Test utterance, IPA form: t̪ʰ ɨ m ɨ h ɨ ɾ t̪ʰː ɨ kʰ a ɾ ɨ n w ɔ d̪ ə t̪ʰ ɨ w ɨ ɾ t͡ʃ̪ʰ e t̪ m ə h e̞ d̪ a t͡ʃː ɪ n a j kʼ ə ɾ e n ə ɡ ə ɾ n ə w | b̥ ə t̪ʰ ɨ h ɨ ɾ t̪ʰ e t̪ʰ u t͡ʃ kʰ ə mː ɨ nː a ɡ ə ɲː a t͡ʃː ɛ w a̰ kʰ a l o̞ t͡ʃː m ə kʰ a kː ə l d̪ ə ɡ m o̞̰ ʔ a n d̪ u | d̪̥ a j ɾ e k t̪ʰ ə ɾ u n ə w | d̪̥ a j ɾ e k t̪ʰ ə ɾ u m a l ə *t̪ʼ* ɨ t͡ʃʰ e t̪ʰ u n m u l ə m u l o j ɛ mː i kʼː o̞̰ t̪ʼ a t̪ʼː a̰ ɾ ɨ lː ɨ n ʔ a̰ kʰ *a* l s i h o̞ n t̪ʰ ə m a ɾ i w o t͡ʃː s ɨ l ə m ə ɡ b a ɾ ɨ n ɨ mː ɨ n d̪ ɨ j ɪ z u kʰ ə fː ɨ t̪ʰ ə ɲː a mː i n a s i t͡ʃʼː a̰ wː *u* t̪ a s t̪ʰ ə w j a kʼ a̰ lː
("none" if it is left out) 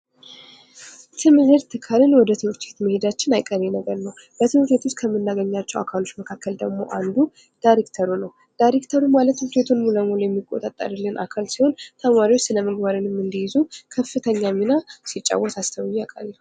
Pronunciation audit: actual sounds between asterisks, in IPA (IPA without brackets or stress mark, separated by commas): t̪, a, ɔ